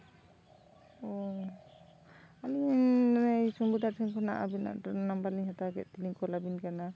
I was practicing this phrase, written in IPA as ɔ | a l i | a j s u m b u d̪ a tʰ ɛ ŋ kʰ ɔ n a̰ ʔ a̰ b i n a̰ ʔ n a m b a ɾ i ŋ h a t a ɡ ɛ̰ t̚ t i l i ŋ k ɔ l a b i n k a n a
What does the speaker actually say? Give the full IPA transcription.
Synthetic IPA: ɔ | a l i | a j s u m b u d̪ a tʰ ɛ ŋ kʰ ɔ n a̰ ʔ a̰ b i n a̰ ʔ n a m b a l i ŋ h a t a ɡ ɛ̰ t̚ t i l i ŋ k ɔ l a b i n k a n a